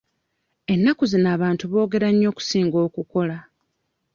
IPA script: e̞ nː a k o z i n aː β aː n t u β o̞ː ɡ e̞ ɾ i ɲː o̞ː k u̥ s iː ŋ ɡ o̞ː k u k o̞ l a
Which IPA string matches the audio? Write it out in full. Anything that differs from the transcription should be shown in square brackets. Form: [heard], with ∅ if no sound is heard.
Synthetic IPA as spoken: e̞ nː a k [u] z i n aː β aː n t u β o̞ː ɡ e̞ ɾ [a] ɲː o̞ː k u̥ s iː ŋ ɡ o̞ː k u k o̞ l a